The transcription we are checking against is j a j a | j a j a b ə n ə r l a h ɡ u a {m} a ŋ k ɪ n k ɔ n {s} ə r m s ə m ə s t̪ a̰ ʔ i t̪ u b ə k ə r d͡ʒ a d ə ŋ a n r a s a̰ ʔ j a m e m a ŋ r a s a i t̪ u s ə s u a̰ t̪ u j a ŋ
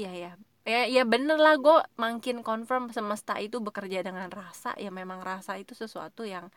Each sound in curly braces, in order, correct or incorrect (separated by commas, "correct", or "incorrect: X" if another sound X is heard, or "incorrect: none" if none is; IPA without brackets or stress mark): correct, incorrect: f